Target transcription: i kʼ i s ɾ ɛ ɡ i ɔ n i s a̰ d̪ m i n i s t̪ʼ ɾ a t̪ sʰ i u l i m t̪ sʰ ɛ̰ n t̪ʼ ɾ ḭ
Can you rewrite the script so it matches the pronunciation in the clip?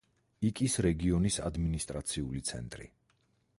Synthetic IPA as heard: i kʼ i s ɾ ɛ ɡ i ɔ n i s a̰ d̪ m i n i s t̪ʼ ɾ a t̪ sʰ i u l i t̪ sʰ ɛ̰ n t̪ʼ ɾ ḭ